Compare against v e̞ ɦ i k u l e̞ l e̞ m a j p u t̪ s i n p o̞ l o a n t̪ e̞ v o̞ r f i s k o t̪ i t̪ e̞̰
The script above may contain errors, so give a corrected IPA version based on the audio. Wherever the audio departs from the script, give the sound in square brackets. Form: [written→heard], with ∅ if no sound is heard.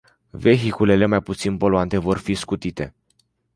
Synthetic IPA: v e̞ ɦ i k u l e̞ l e̞ m a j p u t̪ s i n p o̞ l o a n t̪ e̞ v o̞ r f i s k [o→u] t̪ i t̪ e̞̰